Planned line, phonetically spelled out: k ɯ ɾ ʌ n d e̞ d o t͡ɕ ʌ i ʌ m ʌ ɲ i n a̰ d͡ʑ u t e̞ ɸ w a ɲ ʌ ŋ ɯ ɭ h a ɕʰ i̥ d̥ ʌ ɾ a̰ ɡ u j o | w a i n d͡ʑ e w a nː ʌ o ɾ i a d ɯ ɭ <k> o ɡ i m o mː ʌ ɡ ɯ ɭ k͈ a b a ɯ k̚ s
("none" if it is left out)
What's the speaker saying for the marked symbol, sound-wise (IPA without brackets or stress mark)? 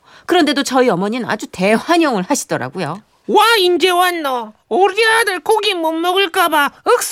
k